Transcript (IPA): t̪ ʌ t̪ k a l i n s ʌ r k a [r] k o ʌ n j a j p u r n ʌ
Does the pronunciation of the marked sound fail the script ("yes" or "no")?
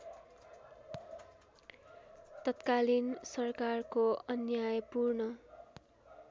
no